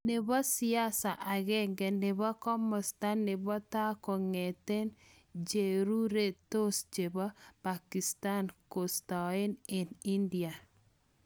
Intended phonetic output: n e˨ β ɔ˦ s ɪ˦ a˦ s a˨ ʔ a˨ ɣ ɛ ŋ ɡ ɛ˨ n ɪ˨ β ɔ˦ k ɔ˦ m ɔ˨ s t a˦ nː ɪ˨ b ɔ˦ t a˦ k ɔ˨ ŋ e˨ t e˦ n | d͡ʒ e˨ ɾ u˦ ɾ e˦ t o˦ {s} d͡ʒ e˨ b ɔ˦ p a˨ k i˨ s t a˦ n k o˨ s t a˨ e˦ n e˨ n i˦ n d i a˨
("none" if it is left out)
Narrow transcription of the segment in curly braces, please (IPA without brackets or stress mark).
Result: s